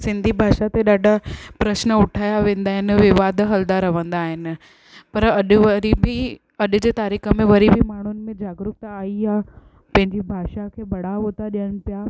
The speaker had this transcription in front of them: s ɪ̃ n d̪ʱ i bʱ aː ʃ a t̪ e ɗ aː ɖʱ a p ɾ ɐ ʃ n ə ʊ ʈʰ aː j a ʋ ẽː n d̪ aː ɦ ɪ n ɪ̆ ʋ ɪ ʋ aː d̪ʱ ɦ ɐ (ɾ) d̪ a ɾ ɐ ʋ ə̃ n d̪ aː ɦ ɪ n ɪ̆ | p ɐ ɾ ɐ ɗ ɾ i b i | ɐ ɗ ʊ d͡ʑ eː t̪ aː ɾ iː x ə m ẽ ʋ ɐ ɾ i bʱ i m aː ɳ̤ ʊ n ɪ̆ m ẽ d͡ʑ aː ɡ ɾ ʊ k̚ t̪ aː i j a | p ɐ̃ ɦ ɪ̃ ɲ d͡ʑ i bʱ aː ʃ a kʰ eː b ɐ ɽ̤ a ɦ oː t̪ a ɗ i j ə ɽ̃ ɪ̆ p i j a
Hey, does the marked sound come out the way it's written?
no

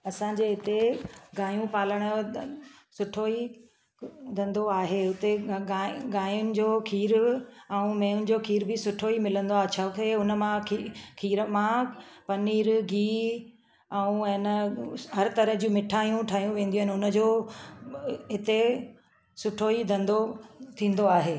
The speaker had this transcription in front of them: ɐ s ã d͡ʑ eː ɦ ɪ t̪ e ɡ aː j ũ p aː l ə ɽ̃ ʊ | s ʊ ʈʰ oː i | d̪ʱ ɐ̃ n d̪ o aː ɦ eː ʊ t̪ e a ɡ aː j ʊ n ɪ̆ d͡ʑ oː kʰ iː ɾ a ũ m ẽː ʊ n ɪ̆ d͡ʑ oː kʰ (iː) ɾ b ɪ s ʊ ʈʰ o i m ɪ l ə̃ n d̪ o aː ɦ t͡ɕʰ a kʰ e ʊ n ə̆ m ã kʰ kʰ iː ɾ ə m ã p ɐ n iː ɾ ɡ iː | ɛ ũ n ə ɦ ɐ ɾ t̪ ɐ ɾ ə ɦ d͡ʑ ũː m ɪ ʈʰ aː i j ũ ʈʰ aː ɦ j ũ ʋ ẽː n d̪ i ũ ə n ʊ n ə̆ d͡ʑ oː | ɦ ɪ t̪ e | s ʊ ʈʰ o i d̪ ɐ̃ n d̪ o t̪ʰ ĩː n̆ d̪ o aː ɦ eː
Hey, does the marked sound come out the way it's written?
yes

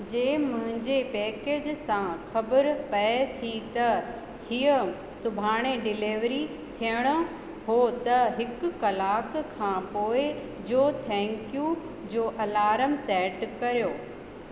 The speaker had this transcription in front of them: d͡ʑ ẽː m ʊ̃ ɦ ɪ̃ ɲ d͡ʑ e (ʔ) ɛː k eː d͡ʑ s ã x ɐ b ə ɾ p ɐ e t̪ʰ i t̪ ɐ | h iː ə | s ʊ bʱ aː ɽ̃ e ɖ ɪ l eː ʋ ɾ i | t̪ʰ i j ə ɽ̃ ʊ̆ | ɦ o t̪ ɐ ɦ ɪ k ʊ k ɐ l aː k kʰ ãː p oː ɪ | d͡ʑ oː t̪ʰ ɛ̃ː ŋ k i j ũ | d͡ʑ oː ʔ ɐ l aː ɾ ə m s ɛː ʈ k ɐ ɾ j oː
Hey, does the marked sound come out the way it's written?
no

